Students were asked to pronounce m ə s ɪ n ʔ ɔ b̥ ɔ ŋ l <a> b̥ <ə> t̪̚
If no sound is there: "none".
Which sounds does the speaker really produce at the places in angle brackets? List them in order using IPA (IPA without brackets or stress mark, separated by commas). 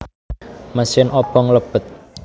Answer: ə, ə